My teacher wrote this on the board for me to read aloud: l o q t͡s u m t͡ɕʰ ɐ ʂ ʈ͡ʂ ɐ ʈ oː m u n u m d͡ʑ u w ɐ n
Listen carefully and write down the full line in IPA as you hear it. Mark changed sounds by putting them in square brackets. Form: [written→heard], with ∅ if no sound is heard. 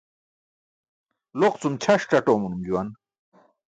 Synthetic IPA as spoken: l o q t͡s u m t͡ɕʰ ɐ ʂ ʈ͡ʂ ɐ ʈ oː m u n u m d͡ʑ u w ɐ n

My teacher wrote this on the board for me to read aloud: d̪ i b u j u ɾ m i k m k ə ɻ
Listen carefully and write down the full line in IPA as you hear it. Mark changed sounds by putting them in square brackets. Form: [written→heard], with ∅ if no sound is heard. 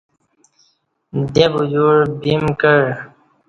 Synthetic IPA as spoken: d̪ [i→e] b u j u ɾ [m→b] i [k→∅] m k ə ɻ

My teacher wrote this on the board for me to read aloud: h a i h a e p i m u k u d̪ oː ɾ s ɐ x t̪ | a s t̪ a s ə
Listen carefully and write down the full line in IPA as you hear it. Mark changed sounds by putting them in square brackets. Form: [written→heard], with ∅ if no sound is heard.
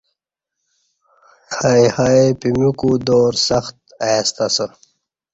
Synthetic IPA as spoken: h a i h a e p i m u k u d̪ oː ɾ s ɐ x t̪ | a s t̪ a s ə

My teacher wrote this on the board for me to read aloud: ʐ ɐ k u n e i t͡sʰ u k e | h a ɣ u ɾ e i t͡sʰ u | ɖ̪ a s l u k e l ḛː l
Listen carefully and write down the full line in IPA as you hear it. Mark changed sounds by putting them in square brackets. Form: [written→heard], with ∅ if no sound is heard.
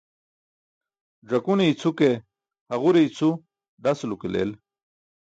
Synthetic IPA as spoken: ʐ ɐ k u n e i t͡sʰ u k e | h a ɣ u ɾ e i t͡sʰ u | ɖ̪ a s l u k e l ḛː l

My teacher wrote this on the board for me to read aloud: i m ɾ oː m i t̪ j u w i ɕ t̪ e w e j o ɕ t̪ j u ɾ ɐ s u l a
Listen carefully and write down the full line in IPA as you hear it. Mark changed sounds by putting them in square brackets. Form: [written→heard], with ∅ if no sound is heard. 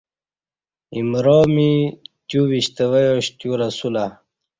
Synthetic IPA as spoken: i m ɾ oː m i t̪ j u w i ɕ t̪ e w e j o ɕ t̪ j u ɾ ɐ s u l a

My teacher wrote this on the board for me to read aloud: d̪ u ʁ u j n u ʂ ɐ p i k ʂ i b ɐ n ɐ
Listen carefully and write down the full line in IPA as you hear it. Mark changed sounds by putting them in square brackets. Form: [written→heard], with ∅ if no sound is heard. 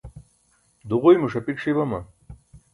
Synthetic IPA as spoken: d̪ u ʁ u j [n→m] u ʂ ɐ p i k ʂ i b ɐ [n→m] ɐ

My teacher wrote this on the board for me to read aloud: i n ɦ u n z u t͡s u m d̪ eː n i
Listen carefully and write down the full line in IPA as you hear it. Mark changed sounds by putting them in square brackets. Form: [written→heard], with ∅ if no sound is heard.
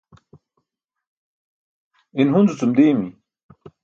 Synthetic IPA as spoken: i n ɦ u n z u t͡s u m d̪ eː [n→m] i

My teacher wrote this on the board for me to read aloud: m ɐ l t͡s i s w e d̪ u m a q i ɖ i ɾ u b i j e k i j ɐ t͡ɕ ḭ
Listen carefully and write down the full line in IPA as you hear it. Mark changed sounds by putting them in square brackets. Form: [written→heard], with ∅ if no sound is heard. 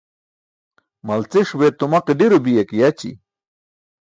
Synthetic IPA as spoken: m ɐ l t͡s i [s→ʂ] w e [d̪→t̪] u m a q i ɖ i ɾ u b i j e k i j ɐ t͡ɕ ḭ

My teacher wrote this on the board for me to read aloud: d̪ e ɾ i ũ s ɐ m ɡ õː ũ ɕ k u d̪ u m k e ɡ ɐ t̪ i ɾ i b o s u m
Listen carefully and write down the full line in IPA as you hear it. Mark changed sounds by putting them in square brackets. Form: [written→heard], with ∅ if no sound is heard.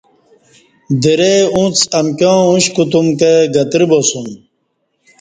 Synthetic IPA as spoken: d̪ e ɾ [i→e] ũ [s→t͡s] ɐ m [ɡ→k] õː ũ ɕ k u [d̪→t̪] u m k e ɡ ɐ t̪ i ɾ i b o s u m

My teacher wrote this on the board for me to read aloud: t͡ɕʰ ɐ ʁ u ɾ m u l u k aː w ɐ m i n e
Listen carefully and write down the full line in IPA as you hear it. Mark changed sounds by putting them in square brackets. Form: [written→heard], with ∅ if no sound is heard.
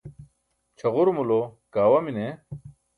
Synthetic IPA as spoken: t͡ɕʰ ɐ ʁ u ɾ m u l [u→o] k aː w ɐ m i n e

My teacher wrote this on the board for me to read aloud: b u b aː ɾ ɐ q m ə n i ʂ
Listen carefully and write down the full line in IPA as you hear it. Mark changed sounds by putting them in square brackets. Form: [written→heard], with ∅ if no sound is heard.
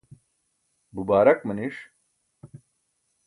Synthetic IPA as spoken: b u b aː ɾ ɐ [q→k] m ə n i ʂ

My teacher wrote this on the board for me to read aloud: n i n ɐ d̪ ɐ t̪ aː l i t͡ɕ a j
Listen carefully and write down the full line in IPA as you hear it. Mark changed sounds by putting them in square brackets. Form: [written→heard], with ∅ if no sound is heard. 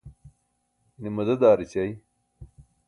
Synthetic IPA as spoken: n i [n→m] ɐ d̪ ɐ [t̪→d̪] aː [l→ɾ] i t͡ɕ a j

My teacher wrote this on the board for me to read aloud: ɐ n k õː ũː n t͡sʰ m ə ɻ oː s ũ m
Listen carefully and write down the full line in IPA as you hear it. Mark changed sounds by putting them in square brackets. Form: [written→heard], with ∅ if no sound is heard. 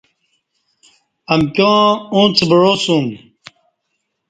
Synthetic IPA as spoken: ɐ [n→m] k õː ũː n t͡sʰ [m→b] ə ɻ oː s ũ m

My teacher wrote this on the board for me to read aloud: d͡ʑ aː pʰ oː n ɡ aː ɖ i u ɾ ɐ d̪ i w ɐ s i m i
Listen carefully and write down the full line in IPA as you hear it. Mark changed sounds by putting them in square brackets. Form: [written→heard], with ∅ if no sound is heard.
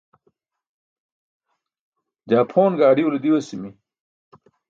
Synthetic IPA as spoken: d͡ʑ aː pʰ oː n ɡ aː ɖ i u [ɾ→l] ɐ d̪ i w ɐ s i m i

